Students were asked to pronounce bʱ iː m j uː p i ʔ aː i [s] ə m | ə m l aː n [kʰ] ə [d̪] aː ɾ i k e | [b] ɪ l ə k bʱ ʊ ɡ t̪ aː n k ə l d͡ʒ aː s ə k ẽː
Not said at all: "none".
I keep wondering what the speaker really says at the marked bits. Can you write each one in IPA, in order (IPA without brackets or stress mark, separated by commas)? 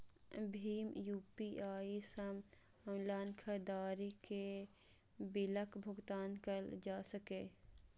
s, kʰ, d̪, b